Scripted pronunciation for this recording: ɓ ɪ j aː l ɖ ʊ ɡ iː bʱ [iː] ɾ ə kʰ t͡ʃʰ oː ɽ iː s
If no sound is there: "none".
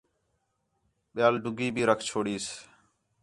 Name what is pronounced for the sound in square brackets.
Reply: iː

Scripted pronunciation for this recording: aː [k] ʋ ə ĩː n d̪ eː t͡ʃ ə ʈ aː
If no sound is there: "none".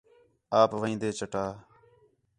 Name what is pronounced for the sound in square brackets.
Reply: p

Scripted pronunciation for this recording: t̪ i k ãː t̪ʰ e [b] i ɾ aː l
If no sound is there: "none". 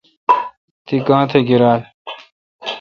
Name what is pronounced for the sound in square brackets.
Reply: ɡ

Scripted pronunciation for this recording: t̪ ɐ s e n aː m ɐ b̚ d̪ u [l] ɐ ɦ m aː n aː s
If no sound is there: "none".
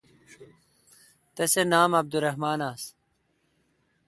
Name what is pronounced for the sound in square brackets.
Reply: ɾ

